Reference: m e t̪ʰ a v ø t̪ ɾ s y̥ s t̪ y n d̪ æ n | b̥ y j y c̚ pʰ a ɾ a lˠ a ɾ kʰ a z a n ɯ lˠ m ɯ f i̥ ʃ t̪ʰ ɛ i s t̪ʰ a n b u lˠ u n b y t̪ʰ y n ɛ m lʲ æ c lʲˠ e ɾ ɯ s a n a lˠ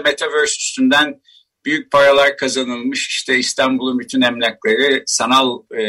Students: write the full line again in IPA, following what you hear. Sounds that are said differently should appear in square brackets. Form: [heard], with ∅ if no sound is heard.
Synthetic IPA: m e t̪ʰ a v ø [∅] ɾ s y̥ s t̪ y n d̪ æ n | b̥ y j y c̚ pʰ a ɾ a lˠ a ɾ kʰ a z a n ɯ lˠ m ɯ [ʃ] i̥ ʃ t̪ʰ ɛ i s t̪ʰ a n b u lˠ u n b y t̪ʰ y n ɛ m lʲ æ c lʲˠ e ɾ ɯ s a n a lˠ